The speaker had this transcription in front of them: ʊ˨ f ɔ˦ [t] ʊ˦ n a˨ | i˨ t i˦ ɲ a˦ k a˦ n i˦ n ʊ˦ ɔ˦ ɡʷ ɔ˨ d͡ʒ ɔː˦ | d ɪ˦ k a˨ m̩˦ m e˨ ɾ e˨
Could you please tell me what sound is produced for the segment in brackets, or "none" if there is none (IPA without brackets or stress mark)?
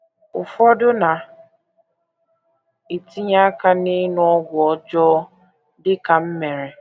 d